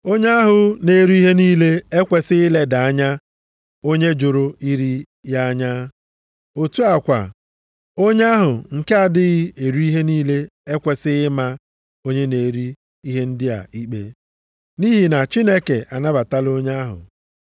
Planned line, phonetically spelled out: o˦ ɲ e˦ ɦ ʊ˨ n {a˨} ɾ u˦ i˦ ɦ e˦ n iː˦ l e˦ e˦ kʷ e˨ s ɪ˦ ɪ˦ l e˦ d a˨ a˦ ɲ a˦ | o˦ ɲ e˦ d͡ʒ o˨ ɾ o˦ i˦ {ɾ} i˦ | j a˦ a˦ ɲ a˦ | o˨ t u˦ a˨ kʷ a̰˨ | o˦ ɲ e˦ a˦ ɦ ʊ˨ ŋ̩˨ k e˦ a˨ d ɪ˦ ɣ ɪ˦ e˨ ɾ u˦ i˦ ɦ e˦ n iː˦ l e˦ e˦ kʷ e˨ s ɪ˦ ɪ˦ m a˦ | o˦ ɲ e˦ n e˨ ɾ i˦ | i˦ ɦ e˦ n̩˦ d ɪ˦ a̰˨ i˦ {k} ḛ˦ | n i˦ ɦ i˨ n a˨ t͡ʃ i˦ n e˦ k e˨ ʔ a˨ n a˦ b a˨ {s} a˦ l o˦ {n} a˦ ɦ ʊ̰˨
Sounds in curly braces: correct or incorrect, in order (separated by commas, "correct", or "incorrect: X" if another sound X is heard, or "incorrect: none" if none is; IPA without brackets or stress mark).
incorrect: e˨, correct, incorrect: k͡p, incorrect: t, incorrect: ɲ